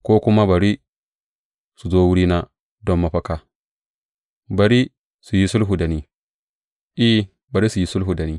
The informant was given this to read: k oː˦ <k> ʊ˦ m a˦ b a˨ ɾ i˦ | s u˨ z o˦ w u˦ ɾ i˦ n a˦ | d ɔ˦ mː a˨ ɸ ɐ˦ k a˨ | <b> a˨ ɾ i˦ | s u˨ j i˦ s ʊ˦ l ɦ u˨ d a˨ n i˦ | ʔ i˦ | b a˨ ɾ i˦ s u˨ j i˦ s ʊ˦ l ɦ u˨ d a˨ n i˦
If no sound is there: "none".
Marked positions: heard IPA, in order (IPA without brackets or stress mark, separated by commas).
k, b